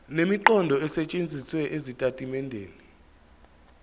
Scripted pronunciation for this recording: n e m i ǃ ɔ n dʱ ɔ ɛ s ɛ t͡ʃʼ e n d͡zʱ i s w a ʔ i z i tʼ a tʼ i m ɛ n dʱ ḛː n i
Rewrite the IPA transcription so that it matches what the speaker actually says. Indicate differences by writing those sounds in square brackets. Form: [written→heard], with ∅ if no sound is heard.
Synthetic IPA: n e m i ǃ ɔ n dʱ ɔ ɛ s ɛ t͡ʃʼ e n d͡zʱ i s w [a→ɛ] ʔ [i→e] z i tʼ a tʼ i m ɛ n dʱ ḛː n i